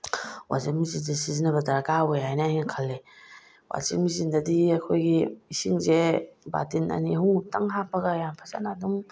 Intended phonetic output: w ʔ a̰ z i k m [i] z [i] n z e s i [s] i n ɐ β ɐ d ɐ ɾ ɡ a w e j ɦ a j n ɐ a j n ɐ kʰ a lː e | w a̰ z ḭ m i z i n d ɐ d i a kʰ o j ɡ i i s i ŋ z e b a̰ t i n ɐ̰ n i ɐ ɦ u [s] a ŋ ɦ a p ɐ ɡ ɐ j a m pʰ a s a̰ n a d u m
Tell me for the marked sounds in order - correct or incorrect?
correct, correct, incorrect: z, incorrect: t

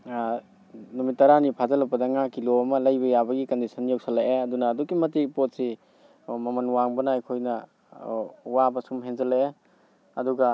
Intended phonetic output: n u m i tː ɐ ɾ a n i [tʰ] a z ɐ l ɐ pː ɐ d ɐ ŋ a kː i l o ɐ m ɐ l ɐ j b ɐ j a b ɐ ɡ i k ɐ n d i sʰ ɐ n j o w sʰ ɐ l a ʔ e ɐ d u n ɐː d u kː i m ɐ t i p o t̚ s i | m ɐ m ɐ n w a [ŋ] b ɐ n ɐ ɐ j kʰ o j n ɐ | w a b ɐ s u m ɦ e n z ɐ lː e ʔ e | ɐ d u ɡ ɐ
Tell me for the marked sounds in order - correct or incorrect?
incorrect: pʰ, correct

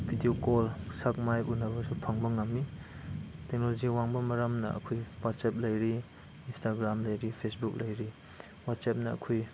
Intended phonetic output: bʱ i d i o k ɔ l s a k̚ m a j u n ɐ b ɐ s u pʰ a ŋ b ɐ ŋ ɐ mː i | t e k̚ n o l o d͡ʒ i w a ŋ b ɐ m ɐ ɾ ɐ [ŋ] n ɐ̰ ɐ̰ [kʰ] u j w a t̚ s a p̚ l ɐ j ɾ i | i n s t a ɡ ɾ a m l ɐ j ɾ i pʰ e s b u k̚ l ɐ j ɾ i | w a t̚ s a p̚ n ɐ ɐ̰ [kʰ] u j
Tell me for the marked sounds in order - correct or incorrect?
incorrect: m, correct, correct

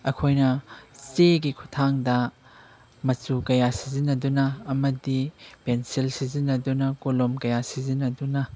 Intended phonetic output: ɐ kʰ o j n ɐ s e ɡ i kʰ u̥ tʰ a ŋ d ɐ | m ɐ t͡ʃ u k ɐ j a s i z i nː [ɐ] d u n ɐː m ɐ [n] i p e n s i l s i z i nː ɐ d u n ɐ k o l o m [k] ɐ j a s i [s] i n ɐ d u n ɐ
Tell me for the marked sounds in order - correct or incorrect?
correct, incorrect: d, correct, incorrect: z

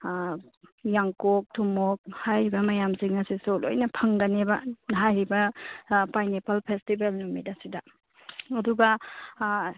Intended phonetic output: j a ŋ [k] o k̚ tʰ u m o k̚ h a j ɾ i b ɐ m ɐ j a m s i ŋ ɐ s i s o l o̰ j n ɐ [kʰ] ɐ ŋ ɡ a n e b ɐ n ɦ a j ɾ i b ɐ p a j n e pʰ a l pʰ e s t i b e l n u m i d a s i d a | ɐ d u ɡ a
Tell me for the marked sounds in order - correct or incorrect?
correct, incorrect: pʰ

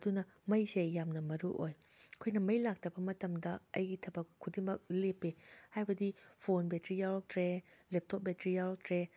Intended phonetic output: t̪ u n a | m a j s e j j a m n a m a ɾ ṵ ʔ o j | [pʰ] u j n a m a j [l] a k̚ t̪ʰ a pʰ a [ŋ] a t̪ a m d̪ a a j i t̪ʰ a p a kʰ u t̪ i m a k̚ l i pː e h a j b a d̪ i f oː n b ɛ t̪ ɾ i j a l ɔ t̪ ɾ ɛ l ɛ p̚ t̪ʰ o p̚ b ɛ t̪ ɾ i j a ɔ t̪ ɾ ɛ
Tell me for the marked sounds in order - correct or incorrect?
incorrect: kʰ, correct, incorrect: m

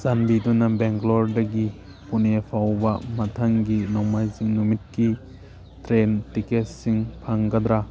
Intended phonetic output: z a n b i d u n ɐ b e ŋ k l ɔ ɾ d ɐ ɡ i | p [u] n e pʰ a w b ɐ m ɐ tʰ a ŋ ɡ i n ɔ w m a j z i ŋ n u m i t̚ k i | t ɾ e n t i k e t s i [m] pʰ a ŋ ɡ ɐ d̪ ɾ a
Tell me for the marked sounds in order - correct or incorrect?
correct, incorrect: ŋ

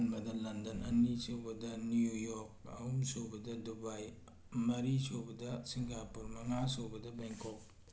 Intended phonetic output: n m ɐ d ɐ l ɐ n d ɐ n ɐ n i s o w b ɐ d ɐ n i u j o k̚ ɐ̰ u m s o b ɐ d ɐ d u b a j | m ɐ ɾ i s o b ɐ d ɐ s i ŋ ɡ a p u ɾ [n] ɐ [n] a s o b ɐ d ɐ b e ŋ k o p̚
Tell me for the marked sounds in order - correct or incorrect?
incorrect: m, incorrect: ŋ

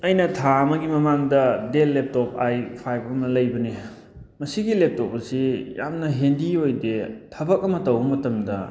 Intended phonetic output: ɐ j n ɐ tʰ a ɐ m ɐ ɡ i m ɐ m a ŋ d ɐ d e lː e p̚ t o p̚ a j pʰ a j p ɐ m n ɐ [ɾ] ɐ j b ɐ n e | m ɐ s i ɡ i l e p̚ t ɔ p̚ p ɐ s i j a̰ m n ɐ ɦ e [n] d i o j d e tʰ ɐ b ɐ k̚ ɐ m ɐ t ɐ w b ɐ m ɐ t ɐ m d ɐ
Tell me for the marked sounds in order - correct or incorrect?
incorrect: l, correct

